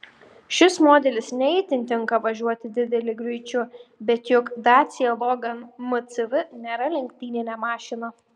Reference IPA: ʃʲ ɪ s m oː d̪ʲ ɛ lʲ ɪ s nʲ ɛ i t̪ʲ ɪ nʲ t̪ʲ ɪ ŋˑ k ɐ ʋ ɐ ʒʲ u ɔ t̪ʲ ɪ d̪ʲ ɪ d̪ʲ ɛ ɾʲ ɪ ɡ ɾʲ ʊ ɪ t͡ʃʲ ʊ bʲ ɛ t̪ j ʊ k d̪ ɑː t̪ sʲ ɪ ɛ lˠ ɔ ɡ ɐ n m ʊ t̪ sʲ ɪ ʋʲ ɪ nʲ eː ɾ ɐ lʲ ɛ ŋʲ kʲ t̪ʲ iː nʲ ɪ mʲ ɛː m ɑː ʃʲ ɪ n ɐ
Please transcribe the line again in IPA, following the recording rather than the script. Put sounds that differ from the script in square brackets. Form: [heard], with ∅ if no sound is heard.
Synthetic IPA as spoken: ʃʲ ɪ s m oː d̪ʲ ɛ lʲ ɪ s nʲ ɛ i t̪ʲ ɪ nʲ t̪ʲ ɪ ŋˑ k ɐ ʋ ɐ ʒʲ u ɔ t̪ʲ ɪ d̪ʲ ɪ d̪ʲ ɛ [lʲ] ɪ ɡ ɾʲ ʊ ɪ t͡ʃʲ ʊ bʲ ɛ t̪ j ʊ k d̪ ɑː t̪ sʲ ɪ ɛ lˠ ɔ ɡ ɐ n m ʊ t̪ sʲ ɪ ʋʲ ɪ nʲ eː ɾ ɐ lʲ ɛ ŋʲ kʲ t̪ʲ iː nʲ ɪ [nʲ] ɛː m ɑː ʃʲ ɪ n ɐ